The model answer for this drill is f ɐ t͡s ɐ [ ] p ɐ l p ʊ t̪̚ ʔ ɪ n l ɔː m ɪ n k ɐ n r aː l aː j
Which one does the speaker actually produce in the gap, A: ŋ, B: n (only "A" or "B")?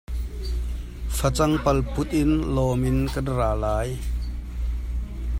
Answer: A